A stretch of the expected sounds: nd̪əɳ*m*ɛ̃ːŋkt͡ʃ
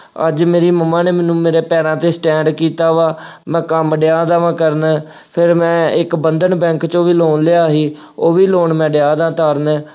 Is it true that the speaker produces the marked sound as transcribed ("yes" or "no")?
no